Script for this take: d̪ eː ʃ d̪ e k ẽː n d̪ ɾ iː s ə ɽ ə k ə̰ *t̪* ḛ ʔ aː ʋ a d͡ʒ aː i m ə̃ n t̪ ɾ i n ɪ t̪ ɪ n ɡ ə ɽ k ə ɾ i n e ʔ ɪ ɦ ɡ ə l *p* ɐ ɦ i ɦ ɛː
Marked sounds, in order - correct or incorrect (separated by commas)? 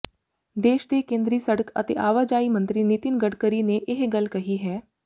correct, incorrect